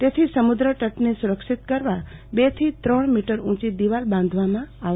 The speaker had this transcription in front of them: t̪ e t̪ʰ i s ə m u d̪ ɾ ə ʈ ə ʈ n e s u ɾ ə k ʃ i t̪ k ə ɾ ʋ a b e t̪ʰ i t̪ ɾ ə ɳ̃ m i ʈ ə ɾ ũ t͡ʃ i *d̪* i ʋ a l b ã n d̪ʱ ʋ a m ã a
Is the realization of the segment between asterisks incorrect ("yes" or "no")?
no